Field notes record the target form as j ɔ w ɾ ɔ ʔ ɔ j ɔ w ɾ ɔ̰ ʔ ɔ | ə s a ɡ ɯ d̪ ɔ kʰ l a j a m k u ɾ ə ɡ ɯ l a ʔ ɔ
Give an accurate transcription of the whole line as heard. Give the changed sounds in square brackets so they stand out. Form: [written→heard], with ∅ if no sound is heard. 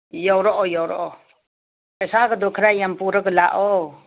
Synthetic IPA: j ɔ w ɾ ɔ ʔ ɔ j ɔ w ɾ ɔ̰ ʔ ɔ | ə s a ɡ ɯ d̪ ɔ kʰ [l→ɾ] a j a m [k→p] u ɾ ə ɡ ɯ l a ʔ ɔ